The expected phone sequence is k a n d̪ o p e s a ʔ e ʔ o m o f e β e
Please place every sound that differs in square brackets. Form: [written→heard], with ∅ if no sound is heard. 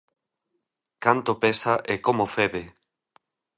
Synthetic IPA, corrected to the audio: k a n [d̪→t̪] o p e s a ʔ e [ʔ→k] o m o f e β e